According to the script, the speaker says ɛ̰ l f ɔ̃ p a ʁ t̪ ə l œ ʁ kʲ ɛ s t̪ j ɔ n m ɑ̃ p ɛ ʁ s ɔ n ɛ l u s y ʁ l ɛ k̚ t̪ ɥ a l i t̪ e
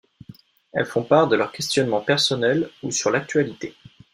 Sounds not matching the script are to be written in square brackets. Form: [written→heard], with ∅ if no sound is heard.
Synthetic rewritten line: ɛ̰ l f ɔ̃ p a ʁ [t̪→d̪] ə l œ ʁ kʲ ɛ s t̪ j ɔ n m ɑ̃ p ɛ ʁ s ɔ n ɛ l u s y ʁ l [ɛ→a] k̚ t̪ ɥ a l i t̪ e